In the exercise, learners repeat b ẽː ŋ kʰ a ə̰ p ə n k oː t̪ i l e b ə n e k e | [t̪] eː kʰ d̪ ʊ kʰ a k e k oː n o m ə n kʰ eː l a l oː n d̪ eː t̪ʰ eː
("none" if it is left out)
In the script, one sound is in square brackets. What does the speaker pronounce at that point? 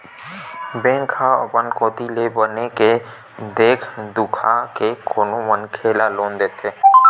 d̪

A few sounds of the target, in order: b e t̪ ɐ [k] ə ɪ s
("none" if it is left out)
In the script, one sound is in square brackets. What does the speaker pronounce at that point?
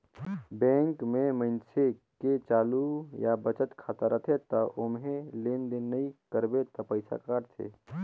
p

